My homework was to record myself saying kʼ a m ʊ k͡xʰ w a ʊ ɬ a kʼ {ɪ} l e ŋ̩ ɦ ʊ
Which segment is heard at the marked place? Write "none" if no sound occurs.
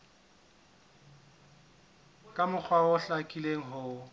i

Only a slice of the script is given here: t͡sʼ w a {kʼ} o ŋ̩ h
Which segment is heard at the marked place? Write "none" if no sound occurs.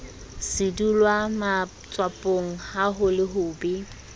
pʼ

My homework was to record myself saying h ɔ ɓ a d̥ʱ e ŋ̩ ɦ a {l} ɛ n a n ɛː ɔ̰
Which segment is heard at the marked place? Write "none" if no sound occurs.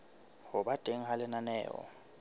l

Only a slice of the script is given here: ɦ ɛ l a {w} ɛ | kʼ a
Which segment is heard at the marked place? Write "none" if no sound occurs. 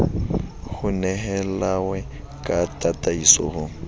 w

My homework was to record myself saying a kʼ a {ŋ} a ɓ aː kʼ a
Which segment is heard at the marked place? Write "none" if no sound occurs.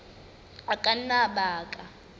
n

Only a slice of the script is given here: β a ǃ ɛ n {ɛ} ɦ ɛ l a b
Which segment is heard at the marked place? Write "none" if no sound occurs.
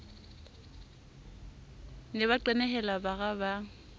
ɛ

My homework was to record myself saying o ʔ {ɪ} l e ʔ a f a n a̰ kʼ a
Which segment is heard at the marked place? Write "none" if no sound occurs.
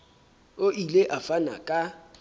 i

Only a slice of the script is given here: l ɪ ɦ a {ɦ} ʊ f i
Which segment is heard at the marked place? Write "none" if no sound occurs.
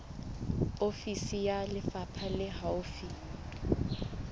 none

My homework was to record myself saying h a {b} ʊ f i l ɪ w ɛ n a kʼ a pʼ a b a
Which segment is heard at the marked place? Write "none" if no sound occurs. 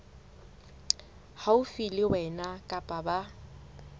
none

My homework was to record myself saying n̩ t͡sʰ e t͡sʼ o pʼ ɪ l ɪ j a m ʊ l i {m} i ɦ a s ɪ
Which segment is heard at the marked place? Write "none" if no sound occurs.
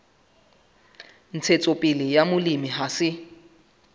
m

